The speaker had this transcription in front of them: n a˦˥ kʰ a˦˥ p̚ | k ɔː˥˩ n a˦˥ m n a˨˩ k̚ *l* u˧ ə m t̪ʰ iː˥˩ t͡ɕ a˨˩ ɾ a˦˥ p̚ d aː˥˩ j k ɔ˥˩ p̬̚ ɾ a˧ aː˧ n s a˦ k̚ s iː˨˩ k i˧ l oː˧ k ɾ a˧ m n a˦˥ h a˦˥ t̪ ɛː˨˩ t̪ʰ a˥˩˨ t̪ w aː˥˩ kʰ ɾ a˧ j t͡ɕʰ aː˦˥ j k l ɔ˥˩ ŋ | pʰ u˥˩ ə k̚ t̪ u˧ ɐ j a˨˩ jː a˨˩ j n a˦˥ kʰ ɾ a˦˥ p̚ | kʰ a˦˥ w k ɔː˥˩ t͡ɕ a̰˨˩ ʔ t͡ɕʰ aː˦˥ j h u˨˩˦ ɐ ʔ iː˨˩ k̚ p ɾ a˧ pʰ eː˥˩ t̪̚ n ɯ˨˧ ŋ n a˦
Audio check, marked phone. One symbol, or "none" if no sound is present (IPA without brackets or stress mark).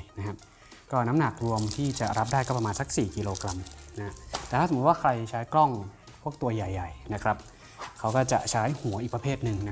ɾ